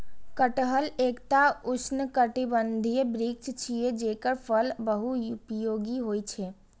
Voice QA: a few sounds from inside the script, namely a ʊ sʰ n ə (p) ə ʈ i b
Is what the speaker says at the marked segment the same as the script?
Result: no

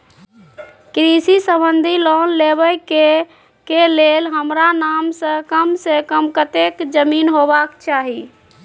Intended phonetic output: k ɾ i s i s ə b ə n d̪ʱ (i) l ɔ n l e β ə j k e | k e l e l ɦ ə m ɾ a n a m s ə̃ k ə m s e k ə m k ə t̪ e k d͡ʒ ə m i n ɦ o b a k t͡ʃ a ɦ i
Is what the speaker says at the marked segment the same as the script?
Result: yes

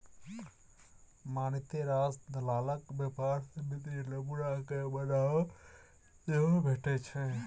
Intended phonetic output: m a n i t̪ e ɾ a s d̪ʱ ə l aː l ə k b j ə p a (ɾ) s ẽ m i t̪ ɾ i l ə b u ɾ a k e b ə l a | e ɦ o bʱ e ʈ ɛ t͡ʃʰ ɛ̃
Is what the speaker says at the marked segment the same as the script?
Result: yes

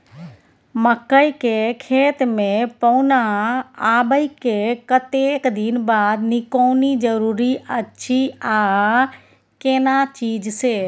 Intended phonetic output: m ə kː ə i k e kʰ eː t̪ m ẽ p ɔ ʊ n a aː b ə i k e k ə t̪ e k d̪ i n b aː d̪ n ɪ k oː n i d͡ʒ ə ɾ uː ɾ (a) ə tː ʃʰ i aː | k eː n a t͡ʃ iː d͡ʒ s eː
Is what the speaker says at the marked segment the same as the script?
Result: no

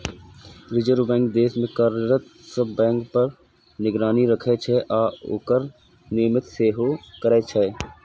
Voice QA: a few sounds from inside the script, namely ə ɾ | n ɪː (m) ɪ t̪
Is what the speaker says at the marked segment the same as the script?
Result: yes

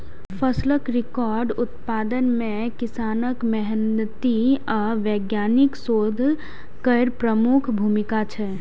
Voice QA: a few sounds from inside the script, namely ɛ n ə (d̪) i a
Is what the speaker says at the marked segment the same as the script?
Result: no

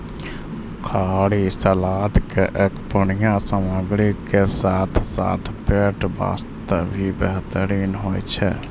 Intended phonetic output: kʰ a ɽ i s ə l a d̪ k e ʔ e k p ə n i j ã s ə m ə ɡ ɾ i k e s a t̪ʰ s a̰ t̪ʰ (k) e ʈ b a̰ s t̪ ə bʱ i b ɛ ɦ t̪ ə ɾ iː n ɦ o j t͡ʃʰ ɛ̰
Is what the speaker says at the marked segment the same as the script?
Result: no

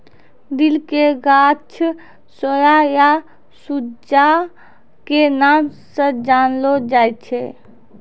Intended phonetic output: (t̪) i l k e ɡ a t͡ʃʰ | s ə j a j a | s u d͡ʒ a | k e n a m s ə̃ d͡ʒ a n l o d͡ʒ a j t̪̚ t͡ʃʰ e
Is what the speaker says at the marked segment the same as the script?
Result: no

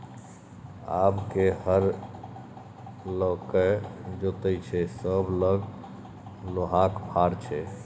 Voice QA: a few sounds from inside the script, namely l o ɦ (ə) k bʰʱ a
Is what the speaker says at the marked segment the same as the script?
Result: no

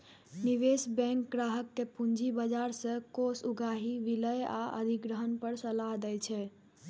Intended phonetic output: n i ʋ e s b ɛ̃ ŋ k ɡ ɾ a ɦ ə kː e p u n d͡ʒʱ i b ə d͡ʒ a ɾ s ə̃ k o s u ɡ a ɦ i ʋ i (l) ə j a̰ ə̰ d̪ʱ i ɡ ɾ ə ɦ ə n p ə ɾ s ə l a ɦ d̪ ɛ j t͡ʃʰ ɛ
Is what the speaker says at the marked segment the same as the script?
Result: yes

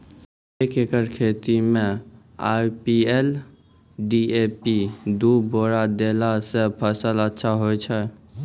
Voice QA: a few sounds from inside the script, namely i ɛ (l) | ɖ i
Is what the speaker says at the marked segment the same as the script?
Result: yes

